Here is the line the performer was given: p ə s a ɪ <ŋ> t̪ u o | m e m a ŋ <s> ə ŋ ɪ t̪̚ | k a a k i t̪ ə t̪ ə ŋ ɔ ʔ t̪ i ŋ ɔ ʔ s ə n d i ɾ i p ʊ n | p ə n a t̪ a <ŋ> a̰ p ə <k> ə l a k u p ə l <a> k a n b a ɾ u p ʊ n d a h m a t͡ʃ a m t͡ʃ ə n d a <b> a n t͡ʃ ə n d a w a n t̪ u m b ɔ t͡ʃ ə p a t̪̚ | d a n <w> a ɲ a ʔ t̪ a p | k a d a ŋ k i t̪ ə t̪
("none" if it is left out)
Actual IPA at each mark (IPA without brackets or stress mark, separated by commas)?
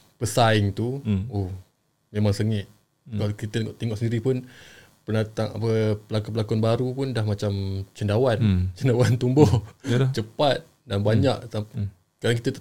ŋ, s, ŋ, p, a, w, b